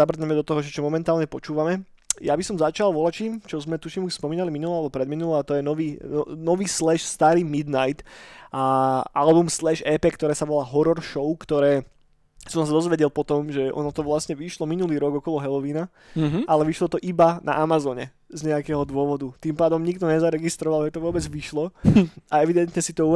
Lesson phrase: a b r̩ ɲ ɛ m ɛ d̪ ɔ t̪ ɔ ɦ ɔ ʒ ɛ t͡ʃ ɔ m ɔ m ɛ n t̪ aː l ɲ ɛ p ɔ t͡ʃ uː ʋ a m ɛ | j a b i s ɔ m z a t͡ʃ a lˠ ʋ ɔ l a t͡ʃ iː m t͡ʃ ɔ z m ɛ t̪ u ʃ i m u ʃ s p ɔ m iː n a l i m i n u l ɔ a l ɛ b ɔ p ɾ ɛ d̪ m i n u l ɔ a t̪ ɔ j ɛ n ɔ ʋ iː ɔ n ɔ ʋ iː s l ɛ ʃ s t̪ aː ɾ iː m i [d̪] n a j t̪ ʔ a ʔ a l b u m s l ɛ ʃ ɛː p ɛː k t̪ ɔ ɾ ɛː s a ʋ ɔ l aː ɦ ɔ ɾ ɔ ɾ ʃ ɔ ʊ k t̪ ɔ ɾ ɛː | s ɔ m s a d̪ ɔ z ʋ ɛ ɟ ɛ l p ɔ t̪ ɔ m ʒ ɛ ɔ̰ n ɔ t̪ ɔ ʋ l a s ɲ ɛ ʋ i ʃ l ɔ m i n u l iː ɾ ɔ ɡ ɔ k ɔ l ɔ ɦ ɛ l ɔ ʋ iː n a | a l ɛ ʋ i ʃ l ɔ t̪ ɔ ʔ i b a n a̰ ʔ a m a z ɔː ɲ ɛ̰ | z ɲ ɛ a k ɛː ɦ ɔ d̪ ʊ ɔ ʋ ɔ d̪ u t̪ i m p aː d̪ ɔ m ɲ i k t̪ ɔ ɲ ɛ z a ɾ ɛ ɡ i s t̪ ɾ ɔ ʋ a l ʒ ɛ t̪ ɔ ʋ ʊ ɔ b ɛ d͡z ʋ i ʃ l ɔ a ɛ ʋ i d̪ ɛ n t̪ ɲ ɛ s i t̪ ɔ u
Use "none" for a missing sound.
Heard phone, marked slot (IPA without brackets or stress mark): d̪